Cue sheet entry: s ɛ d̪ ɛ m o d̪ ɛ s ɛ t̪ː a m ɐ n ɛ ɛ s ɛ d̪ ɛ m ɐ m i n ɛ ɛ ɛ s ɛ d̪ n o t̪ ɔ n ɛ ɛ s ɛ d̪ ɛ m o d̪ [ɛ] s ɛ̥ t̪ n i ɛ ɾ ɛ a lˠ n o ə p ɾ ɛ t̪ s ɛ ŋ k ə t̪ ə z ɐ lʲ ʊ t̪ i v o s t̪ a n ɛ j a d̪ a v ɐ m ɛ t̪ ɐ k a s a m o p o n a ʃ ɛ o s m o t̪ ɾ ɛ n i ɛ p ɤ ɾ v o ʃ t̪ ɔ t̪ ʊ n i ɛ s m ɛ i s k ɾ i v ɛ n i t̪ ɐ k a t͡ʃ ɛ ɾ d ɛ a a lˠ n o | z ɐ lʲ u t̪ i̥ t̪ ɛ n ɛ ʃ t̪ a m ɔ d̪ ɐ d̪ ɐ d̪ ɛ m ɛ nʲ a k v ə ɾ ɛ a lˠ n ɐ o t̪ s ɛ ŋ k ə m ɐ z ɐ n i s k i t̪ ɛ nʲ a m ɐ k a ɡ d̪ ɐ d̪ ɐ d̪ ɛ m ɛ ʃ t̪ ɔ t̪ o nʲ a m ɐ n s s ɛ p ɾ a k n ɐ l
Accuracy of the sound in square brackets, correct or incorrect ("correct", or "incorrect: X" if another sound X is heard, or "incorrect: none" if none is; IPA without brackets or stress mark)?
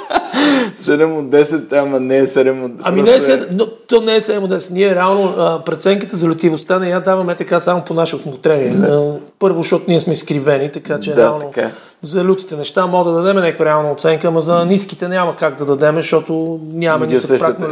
correct